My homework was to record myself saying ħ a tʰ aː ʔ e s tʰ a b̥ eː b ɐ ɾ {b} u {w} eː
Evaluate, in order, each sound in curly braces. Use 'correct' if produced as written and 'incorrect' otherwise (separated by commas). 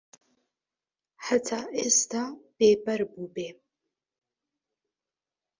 correct, incorrect